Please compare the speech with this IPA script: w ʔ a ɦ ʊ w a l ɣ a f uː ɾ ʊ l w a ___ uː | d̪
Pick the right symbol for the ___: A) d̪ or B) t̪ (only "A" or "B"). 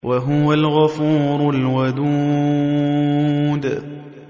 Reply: A